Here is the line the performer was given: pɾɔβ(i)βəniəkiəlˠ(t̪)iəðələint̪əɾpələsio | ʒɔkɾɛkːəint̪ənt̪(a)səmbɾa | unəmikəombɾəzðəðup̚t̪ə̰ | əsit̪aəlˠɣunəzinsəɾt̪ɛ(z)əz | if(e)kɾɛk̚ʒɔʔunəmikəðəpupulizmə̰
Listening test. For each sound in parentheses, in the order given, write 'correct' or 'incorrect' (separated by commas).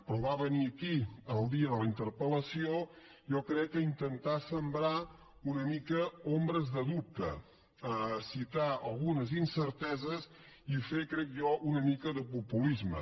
incorrect, incorrect, correct, correct, correct